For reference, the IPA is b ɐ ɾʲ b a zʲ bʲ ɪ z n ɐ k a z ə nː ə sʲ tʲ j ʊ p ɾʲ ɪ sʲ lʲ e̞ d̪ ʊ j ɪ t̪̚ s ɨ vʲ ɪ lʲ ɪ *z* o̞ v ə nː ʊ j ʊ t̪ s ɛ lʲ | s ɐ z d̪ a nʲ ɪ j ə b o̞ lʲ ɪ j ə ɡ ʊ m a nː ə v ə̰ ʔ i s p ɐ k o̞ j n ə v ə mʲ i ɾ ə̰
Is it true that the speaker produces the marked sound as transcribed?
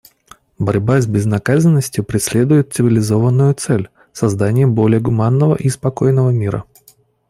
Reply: yes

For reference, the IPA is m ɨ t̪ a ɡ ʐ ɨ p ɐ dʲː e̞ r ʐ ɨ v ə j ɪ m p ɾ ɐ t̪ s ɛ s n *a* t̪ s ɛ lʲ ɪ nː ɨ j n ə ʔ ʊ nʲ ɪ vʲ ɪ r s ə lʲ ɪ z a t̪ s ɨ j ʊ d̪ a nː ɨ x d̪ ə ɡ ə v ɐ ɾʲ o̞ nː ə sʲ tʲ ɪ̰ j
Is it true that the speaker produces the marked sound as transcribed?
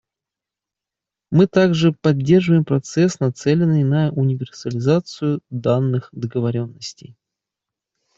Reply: no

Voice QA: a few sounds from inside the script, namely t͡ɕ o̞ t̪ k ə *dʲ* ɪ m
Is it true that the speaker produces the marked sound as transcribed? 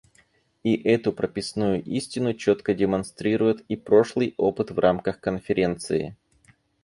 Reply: yes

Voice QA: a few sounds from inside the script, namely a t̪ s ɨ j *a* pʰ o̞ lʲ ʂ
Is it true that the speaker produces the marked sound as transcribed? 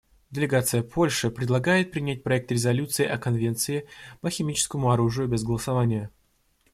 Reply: no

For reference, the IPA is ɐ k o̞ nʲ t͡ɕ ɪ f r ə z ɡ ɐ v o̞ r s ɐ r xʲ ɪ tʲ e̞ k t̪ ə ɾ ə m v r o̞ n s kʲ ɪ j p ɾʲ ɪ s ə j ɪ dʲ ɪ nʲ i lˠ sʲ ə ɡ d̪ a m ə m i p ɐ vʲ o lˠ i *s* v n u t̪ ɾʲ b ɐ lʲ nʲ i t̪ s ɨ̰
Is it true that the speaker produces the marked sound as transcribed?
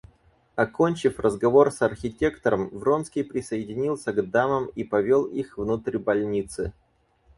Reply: no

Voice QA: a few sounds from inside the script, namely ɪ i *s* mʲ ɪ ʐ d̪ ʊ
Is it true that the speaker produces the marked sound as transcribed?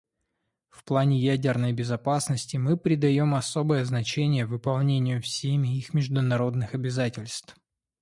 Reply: no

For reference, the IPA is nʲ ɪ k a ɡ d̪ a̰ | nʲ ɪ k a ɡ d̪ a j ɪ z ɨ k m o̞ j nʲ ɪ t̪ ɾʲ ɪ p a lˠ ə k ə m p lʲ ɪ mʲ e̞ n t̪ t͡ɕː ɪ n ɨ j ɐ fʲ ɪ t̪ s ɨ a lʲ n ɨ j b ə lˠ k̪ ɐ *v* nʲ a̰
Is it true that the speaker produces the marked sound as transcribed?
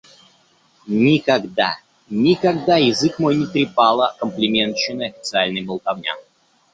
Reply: yes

